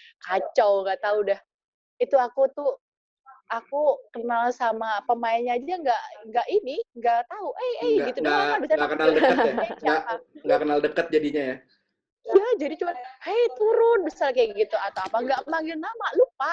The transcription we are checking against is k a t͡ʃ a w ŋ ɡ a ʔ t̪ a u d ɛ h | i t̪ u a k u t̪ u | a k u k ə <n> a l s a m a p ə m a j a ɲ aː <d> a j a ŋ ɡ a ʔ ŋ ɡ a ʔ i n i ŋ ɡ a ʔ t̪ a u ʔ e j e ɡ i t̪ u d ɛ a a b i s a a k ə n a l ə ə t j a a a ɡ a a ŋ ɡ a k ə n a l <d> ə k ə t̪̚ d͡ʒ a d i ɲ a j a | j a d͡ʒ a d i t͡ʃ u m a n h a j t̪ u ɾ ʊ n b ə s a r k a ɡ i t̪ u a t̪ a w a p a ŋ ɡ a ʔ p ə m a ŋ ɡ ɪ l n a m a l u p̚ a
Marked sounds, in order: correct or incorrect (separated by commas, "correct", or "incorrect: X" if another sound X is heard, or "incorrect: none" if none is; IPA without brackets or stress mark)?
correct, incorrect: d͡ʒ, correct